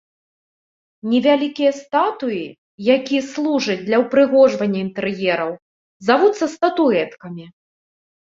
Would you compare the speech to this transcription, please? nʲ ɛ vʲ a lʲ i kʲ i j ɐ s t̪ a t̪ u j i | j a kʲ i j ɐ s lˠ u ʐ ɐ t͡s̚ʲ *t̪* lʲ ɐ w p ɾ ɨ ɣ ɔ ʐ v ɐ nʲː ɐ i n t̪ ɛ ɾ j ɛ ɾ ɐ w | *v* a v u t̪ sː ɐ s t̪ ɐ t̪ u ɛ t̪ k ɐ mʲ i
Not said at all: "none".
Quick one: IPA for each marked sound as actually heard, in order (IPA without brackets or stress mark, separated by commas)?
d̪, z